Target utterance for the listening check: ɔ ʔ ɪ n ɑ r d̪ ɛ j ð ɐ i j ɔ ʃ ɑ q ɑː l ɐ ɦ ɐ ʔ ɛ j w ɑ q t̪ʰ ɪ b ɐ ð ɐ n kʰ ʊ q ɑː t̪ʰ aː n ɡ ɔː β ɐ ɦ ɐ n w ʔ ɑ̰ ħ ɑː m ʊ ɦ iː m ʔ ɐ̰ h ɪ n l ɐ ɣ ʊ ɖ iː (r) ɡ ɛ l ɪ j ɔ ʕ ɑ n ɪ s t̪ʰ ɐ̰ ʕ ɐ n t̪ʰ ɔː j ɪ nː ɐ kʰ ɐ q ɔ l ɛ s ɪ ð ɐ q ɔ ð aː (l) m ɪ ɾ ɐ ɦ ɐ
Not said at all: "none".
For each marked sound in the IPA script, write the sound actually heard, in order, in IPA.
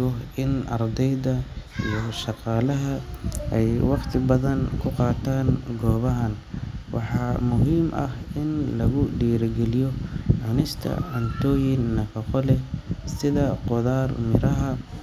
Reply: ɾ, r

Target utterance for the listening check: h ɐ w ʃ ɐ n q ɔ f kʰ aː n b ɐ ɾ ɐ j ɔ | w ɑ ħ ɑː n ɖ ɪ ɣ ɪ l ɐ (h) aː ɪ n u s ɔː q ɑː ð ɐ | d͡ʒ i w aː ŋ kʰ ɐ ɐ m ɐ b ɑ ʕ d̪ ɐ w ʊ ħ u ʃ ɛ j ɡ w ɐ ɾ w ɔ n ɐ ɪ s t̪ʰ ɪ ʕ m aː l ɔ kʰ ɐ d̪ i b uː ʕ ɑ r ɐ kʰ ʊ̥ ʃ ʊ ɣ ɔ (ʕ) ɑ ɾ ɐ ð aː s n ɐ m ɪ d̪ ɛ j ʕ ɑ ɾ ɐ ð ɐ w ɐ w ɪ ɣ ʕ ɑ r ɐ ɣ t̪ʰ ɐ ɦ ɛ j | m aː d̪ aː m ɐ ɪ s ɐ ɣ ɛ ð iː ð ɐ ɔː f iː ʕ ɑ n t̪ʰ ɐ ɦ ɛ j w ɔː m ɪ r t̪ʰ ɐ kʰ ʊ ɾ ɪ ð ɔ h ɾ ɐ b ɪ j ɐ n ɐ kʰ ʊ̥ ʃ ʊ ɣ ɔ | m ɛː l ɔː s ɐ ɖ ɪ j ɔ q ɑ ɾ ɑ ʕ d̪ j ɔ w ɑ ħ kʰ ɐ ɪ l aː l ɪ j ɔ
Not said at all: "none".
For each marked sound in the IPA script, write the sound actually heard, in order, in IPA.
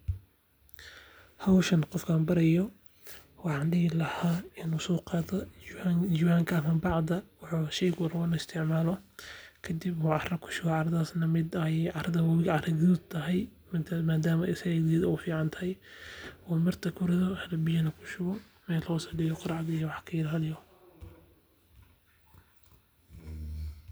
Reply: h, ʕ

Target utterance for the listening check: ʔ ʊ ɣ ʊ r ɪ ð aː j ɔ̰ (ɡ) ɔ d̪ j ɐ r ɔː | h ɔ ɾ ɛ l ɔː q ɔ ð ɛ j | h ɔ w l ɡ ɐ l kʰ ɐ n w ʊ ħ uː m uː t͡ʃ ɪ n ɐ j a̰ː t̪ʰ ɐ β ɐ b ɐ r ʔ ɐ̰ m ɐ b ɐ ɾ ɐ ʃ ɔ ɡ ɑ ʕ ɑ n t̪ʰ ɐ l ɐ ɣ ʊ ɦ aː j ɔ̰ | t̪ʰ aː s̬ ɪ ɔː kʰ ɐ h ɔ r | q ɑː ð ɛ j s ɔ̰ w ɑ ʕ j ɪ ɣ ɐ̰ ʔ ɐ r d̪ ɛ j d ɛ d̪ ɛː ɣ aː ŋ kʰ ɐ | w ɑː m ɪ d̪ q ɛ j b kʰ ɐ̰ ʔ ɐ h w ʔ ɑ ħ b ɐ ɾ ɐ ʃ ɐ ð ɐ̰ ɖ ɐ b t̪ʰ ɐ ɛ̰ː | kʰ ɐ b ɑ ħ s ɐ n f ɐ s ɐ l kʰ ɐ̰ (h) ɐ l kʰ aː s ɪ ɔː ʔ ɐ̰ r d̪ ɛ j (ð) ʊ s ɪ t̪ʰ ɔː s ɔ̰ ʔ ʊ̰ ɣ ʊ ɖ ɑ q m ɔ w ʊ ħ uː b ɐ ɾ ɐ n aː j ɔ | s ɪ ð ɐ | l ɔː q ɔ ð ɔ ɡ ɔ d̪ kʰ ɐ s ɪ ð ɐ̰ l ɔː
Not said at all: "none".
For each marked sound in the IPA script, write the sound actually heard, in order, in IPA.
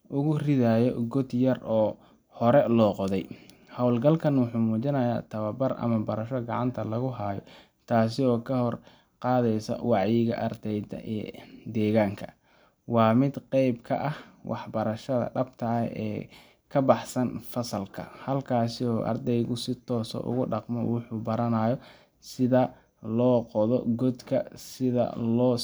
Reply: ɡ, h, ɣ

